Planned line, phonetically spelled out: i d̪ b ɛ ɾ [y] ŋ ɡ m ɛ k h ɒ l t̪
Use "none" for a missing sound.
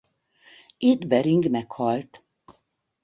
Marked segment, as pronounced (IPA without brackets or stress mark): i